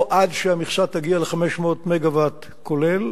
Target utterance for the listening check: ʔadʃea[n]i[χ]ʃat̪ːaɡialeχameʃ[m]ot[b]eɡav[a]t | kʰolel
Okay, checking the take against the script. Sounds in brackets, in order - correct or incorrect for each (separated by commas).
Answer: incorrect, correct, correct, incorrect, correct